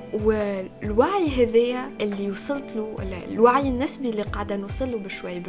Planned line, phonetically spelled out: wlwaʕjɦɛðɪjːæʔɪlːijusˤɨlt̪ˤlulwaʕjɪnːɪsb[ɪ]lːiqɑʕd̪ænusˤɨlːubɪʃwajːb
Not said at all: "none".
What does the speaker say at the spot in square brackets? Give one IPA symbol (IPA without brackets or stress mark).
i